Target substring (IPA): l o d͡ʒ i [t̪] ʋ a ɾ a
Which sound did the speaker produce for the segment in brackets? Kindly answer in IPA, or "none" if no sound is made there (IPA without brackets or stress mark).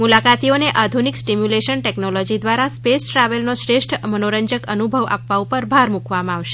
d̪